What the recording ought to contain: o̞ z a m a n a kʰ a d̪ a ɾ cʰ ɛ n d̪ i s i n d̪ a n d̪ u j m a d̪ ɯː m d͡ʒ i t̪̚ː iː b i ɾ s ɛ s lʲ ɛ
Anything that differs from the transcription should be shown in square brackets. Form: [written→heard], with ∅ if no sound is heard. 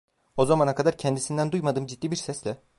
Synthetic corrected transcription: o̞ z a m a n a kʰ a d̪ a ɾ cʰ ɛ n d̪ i s i n d̪ [a→æ] n d̪ u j m a d̪ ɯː m d͡ʒ i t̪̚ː iː b i ɾ s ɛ s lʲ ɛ